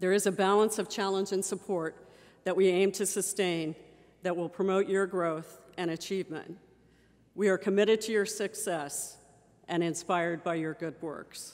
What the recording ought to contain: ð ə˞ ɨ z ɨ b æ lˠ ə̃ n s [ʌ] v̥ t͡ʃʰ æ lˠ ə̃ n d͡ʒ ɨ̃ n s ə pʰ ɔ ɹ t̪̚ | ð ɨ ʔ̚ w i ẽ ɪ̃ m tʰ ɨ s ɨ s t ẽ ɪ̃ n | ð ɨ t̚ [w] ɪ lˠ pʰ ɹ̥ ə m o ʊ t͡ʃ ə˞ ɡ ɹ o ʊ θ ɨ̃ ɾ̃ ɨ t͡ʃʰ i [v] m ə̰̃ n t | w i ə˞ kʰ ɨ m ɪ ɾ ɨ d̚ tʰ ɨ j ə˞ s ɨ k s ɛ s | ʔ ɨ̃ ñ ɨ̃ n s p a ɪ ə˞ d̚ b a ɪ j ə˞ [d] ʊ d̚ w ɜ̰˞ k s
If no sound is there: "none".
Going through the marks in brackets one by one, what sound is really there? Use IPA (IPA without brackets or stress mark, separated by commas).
ʌ, w, v, ɡ